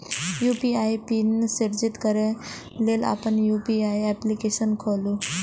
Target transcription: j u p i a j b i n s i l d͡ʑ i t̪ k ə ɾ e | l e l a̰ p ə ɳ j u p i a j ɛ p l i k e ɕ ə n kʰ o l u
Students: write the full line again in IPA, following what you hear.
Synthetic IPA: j u p i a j p i n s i ɾ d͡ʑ i t̪ k ə ɾ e | l e l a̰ p ə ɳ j u p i a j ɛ p l i k e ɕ ə n kʰ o l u